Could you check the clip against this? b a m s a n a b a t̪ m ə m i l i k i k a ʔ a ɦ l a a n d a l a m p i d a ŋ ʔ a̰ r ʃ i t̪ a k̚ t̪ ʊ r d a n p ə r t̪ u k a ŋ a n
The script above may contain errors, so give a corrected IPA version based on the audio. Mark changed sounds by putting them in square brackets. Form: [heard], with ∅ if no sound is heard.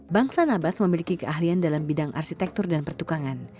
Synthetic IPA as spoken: b a [ŋ] s a n a b a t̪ m ə m i l i k i k [ə] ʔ a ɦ l [i] a n d a l a m [b] i d a ŋ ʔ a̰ r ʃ i t̪ [ɛ] k̚ t̪ ʊ r d a n p ə r t̪ u k a ŋ a n